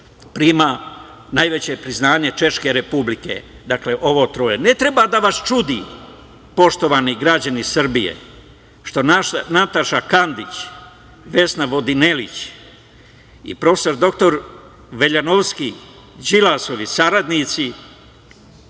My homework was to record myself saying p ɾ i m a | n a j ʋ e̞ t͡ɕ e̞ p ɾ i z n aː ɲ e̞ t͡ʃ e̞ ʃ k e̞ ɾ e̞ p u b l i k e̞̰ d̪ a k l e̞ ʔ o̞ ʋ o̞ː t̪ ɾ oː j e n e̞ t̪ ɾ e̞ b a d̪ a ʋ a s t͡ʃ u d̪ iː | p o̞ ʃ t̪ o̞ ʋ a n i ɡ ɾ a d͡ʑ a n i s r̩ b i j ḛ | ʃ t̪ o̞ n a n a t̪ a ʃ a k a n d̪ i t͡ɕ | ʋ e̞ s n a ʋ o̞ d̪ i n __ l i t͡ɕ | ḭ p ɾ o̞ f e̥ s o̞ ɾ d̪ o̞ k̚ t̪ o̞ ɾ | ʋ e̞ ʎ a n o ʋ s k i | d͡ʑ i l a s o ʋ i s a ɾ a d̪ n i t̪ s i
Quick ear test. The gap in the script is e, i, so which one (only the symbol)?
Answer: e